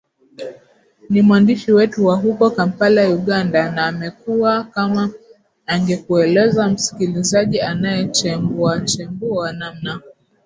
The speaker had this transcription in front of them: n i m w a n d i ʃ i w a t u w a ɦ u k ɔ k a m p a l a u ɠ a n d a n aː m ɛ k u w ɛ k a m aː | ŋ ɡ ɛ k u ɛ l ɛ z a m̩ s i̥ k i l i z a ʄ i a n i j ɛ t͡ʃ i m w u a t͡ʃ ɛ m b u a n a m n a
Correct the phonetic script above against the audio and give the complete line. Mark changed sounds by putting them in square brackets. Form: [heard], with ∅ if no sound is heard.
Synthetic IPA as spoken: n i m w a n d i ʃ i w [ɛ] t u w a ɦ u k ɔ k a m p a l a u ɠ a n d a n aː m ɛ k u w [a] k a m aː | ŋ ɡ ɛ k u ɛ l ɛ z a m̩ s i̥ k i l i z a ʄ i a n [a] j ɛ t͡ʃ [ɛ] m [b] u a t͡ʃ ɛ m b u a n a m n a